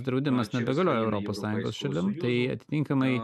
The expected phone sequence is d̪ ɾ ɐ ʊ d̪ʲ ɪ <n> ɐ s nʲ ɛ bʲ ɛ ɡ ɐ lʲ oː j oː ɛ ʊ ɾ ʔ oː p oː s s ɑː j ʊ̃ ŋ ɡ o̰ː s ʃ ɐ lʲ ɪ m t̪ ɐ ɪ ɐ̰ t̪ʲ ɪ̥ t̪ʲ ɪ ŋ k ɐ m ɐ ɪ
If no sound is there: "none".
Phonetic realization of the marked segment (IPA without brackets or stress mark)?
m